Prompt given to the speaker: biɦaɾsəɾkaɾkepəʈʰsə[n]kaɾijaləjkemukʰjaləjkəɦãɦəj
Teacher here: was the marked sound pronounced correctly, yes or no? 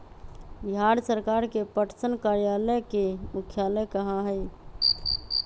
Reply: yes